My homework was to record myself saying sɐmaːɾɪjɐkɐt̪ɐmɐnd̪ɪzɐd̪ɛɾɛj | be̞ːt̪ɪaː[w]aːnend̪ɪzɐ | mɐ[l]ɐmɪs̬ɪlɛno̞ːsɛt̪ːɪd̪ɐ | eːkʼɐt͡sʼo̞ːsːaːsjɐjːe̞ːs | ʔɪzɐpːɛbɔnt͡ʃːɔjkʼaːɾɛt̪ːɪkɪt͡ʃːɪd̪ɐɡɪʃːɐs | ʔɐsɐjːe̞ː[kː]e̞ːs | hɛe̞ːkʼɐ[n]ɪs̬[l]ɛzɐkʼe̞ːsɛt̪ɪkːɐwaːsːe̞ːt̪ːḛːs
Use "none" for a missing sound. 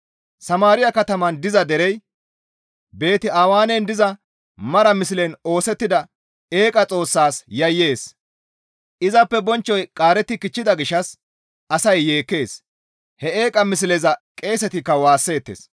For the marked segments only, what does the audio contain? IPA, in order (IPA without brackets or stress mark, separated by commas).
w, ɾ, kː, m, l